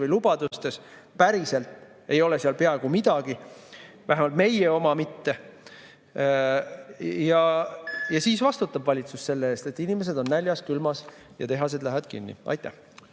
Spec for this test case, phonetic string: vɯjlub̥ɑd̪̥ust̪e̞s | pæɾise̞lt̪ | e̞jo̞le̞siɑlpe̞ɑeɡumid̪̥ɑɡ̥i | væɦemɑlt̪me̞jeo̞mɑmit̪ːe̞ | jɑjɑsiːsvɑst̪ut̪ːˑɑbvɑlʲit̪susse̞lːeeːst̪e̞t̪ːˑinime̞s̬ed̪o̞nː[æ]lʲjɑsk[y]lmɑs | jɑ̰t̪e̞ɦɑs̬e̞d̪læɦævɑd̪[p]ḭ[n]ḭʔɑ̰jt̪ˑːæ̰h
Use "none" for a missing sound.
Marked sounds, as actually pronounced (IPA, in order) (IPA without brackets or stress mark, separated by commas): æ, y, k, nː